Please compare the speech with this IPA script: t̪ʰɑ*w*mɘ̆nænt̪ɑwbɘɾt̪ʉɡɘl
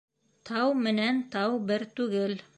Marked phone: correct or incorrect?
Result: correct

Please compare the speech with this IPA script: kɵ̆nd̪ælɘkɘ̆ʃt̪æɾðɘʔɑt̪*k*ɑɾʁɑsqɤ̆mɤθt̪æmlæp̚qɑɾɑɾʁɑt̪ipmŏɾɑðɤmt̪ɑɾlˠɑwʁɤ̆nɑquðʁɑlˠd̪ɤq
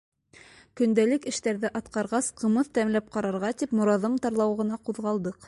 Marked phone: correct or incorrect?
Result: incorrect: q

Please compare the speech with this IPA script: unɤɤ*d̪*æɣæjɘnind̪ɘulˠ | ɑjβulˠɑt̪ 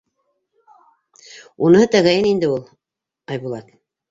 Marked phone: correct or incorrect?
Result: incorrect: t̪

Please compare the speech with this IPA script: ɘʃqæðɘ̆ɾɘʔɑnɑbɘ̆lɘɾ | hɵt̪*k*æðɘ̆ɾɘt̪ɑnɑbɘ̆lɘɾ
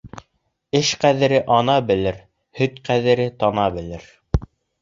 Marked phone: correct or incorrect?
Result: incorrect: q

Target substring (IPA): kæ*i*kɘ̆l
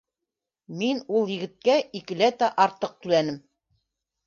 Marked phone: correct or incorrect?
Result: correct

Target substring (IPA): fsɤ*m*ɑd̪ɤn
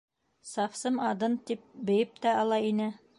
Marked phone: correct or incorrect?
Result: correct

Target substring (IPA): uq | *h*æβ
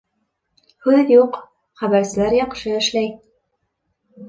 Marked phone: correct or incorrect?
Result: incorrect: χ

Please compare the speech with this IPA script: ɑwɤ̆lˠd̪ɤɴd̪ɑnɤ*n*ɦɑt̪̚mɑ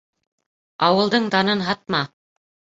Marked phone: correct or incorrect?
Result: correct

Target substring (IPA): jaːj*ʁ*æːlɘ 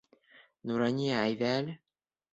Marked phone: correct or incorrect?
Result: incorrect: ð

